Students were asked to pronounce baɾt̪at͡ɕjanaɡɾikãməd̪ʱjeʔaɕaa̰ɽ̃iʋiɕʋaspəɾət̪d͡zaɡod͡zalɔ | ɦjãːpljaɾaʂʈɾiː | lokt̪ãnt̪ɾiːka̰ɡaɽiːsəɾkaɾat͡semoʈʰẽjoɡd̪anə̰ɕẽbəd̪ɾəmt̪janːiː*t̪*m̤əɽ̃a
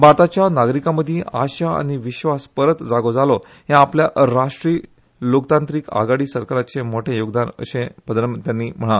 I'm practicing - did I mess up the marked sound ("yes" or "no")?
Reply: yes